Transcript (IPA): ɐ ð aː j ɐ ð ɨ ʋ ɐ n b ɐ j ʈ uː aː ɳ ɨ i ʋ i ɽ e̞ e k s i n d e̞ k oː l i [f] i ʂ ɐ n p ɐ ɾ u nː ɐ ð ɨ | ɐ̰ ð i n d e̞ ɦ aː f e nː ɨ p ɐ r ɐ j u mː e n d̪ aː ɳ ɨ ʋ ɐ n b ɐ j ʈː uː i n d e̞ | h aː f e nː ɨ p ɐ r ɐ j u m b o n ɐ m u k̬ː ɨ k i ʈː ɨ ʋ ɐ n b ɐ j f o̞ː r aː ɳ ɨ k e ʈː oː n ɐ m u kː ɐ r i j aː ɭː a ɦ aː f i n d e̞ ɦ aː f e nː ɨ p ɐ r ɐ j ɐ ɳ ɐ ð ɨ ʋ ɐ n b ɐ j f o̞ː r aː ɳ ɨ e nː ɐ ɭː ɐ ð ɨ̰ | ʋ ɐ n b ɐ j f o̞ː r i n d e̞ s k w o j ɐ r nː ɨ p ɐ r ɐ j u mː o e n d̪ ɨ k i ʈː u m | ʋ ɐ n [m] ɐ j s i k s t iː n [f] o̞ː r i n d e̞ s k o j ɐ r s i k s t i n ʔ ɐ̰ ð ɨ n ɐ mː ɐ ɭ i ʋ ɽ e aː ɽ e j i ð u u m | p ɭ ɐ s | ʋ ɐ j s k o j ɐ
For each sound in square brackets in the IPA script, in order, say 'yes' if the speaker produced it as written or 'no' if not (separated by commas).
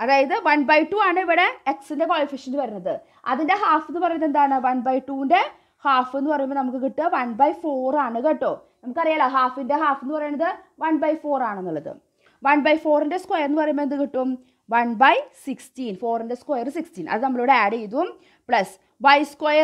yes, no, yes